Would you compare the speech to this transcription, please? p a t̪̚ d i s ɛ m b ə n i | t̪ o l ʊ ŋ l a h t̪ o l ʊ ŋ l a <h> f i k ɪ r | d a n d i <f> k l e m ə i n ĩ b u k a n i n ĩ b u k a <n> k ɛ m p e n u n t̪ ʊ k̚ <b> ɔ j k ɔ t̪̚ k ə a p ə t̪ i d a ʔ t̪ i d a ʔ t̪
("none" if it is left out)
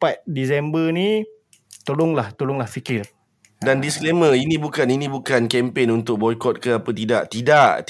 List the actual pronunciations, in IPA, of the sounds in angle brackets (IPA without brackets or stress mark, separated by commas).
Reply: h, s, n, b